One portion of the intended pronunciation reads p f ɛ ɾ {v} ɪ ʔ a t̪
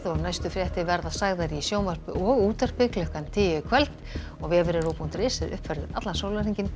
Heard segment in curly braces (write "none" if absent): ð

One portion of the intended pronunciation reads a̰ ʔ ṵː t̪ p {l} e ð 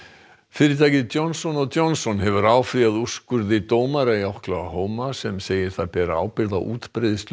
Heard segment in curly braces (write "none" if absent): ɾ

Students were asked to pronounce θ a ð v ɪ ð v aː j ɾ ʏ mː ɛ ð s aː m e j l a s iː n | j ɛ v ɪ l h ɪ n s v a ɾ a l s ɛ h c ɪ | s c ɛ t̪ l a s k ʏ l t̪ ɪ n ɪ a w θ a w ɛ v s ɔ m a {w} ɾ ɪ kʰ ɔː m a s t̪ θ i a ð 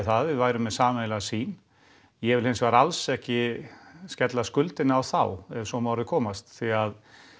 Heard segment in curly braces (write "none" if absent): w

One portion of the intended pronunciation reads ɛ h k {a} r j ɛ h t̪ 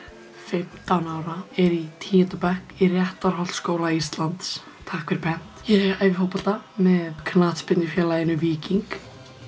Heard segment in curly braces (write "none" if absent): i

